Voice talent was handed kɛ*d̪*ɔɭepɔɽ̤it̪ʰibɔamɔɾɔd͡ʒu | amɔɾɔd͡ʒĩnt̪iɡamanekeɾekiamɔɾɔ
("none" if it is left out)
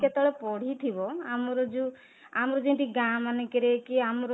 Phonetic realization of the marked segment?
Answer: t̪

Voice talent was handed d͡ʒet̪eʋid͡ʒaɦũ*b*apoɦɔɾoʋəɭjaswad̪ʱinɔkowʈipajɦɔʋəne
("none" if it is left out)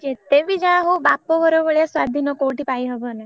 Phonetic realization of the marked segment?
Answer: b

